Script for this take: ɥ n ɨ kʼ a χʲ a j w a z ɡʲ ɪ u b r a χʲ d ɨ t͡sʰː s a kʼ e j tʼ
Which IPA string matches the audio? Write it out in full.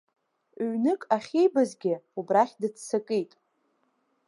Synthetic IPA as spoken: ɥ n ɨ kʼ a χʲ e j b a z ɡʲ ɪ u b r a χʲ d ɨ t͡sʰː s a kʼ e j tʼ